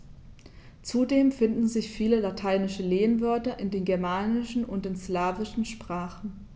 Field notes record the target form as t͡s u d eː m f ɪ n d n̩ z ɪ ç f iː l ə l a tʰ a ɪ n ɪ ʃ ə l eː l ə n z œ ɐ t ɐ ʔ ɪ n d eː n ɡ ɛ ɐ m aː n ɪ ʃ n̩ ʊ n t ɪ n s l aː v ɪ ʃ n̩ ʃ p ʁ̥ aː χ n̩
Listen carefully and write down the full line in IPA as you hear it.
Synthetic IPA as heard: t͡s u d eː m f ɪ n d n̩ z ɪ ç f iː l ə l a tʰ a ɪ n ɪ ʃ ə l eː ə n v œ ɐ t ɐ ʔ ɪ n d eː n ɡ ɛ ɐ m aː n ɪ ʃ n̩ ʊ n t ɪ n s l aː v ɪ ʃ n̩ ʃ p ʁ̥ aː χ n̩